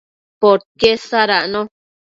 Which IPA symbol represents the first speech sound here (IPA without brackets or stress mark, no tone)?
p